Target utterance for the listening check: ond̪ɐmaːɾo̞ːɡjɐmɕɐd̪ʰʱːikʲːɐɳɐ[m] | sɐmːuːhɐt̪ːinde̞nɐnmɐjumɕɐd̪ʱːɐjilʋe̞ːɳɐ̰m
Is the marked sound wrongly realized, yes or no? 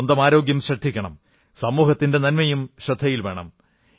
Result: no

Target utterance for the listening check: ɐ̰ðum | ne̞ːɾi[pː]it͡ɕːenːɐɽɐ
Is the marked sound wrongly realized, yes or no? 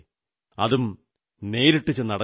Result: yes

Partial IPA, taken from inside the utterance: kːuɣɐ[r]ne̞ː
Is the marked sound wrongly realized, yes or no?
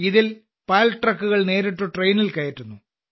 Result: yes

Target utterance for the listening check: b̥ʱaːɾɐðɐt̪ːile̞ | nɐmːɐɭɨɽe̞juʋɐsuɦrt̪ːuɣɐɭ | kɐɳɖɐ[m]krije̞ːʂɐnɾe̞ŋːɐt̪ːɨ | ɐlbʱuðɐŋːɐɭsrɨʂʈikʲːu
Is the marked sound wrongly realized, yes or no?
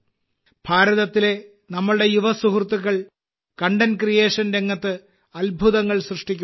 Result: yes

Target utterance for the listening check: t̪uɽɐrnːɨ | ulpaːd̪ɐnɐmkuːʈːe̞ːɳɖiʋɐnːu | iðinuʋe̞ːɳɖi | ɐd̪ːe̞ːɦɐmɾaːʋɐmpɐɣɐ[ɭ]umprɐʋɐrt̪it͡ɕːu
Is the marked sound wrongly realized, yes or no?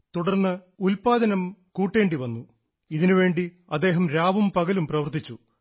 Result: yes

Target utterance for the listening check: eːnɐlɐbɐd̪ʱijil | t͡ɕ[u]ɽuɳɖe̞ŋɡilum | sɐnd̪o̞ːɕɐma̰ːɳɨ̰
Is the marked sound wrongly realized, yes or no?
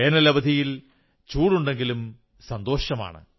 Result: yes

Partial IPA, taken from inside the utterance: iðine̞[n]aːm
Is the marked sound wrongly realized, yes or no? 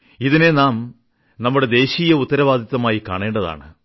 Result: no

